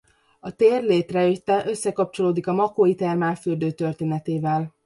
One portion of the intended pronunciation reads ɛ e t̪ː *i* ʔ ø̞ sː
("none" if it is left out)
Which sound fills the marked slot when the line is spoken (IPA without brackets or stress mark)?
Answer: ɛ